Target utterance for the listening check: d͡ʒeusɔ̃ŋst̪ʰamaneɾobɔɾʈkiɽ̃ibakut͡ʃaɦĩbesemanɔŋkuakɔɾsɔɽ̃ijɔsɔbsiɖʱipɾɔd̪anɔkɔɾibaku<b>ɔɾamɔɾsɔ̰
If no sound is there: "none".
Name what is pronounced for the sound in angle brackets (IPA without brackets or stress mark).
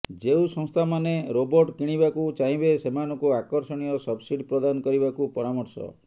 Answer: p